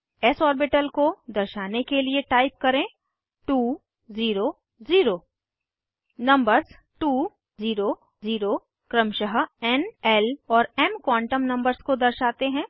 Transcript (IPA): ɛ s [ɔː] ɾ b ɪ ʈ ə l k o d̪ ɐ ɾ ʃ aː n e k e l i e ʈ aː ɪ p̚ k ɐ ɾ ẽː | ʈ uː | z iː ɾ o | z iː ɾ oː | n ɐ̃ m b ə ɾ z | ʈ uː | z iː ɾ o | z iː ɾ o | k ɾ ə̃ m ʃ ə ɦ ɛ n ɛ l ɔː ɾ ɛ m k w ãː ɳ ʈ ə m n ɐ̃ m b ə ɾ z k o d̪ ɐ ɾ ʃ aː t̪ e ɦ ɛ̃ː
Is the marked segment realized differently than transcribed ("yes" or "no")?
no